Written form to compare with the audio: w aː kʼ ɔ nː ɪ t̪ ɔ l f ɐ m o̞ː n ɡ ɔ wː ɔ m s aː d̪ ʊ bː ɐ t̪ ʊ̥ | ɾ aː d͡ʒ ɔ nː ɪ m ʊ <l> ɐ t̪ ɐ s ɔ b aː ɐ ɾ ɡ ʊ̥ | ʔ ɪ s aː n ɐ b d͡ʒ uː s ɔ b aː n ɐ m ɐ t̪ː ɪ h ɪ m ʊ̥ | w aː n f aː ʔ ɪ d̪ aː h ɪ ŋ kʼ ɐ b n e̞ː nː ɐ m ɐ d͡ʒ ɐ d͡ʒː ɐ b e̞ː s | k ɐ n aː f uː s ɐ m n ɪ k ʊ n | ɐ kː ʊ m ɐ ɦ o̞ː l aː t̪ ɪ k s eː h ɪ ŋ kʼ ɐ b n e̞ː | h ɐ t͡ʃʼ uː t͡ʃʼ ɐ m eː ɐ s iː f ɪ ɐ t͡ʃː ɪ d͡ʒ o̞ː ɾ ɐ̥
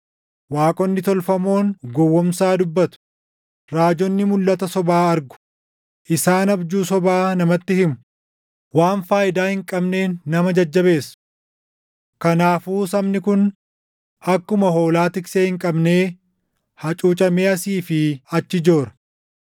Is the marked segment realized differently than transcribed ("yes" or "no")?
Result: yes